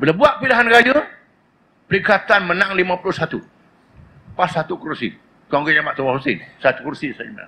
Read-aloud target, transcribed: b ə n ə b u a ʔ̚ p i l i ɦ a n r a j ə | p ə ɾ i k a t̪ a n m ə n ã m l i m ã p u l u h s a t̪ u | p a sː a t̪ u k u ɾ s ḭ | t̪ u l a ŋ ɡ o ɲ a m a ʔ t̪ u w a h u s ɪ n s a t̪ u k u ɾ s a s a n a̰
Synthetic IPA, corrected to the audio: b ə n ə b u a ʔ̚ p i l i ɦ a n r a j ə | p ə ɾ i k a t̪ a n m ə n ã ŋ l i m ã p u l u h s a t̪ u | p a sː a t̪ u k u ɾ s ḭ | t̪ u a ŋ ɡ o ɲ a m a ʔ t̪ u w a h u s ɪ n s a t̪ u k u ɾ s i s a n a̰